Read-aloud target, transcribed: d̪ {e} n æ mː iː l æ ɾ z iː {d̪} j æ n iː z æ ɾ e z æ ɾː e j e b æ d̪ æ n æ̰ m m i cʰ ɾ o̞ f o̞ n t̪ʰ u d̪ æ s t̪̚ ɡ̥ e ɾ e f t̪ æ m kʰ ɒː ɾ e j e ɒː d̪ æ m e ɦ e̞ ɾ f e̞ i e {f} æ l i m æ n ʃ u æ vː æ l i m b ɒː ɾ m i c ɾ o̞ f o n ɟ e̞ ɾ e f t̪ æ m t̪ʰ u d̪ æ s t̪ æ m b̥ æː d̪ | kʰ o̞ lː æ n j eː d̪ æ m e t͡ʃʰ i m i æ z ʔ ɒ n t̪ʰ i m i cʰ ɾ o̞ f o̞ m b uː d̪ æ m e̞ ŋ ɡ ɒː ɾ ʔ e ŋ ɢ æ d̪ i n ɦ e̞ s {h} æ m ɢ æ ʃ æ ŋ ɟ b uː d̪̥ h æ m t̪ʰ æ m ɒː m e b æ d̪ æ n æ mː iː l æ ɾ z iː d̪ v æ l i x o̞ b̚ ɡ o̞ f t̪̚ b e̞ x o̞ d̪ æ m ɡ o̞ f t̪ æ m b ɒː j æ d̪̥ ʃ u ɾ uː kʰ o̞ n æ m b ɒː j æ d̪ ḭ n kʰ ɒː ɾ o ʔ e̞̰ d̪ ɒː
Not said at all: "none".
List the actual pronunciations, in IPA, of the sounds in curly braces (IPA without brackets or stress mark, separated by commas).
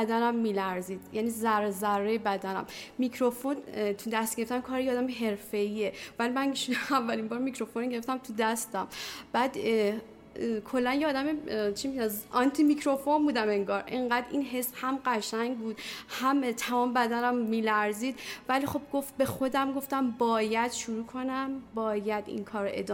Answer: æ, d̪, v, h